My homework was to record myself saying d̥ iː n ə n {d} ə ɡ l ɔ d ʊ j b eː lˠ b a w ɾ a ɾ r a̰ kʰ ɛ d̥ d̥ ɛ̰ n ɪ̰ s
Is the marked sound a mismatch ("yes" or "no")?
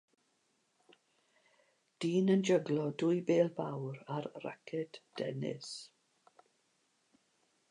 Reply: yes